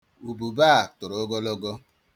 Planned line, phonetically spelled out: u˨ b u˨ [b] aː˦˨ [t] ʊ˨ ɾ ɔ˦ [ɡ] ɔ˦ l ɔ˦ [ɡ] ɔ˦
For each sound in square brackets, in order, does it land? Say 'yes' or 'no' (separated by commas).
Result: yes, yes, yes, yes